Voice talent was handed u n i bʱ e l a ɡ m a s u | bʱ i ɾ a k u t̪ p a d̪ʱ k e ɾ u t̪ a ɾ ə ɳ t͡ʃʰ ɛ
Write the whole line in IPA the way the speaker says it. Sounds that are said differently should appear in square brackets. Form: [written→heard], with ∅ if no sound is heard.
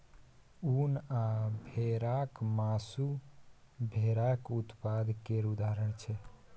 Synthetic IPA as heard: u n [i→a] bʱ e [l→ɾ] a [ɡ→k] m a s u | bʱ [i→e] ɾ a k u t̪ p a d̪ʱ k e ɾ u [t̪→d̪] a ɾ ə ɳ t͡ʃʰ ɛ